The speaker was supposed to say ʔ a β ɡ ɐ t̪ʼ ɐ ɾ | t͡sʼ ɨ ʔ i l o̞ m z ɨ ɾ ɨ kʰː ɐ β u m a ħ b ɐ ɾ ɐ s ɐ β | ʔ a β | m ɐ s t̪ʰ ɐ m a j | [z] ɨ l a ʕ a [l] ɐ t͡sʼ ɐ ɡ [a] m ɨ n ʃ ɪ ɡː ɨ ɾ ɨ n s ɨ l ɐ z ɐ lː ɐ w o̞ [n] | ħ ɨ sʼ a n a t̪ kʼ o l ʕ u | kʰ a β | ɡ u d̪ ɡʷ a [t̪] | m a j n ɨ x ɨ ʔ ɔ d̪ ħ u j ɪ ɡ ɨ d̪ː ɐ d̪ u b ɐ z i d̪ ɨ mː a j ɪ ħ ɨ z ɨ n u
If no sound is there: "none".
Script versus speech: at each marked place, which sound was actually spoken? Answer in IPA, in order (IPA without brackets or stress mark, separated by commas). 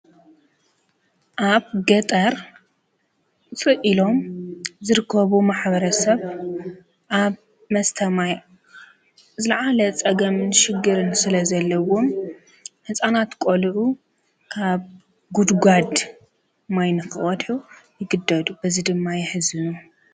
z, l, ɐ, m, d̪